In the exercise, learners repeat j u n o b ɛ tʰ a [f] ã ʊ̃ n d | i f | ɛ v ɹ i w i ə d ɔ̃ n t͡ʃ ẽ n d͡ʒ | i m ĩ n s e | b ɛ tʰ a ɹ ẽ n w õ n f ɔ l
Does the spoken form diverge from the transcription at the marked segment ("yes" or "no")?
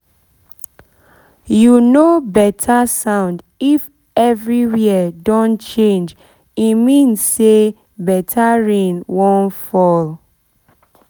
yes